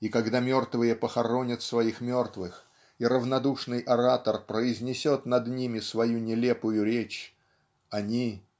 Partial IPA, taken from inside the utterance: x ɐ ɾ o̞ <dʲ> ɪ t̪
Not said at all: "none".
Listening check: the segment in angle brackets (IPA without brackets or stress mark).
nʲ